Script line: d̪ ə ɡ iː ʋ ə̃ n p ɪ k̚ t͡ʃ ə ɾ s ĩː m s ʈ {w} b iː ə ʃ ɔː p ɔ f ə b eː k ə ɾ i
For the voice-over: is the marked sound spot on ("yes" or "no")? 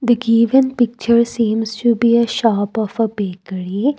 no